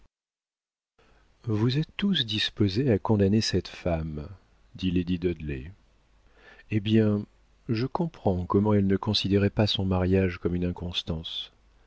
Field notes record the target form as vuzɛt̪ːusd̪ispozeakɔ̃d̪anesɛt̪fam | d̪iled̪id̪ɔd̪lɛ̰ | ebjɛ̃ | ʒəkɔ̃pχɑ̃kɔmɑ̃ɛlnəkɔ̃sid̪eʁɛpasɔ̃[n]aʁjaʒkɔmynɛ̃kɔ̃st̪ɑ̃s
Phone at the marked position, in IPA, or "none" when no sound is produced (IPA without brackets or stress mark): m